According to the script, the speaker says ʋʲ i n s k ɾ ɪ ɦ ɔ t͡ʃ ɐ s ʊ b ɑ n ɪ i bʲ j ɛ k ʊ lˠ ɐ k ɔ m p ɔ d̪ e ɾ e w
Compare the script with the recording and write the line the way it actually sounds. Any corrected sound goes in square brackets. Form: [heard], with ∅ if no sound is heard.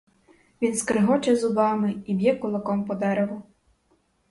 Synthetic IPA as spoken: ʋʲ i n s k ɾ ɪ ɦ ɔ t͡ʃ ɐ [z] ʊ b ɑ [m] ɪ i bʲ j ɛ k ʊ lˠ ɐ k ɔ m p ɔ d̪ [ɛ] ɾ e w